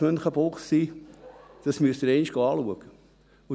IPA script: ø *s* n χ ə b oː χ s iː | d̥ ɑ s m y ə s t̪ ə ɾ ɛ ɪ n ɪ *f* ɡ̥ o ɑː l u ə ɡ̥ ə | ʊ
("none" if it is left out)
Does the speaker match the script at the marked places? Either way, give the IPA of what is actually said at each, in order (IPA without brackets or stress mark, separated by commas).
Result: none, ʃ